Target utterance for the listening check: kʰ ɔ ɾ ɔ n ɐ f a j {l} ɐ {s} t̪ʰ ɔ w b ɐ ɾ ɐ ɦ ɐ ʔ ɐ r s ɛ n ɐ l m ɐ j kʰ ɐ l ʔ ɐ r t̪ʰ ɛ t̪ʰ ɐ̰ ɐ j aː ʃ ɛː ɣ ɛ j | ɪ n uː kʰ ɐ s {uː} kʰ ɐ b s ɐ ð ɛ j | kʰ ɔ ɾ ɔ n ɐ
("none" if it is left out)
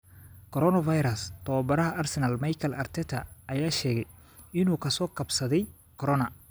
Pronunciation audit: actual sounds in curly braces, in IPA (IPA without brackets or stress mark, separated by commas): ɾ, s, ɔː